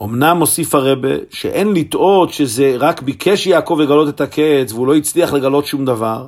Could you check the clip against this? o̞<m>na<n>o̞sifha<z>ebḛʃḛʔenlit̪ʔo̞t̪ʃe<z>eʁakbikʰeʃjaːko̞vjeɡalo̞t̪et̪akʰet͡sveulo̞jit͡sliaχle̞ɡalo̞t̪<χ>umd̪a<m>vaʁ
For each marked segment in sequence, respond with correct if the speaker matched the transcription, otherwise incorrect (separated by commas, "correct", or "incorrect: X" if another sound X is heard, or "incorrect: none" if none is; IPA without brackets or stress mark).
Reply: correct, incorrect: m, incorrect: ʁ, correct, incorrect: ʃ, incorrect: none